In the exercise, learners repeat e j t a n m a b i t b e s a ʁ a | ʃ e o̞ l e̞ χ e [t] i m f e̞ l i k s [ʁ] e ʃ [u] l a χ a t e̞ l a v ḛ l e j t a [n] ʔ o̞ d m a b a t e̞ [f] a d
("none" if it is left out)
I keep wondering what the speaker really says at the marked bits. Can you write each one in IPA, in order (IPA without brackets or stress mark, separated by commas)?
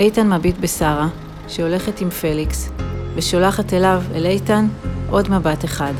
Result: t, v, o, n, χ